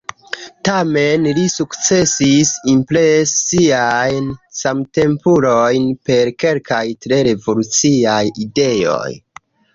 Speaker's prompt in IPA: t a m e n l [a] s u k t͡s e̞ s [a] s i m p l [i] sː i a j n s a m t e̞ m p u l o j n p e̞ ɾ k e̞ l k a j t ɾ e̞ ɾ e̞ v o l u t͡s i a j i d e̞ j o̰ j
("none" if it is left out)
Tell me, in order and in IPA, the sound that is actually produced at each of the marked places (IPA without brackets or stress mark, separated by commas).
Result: i, i, e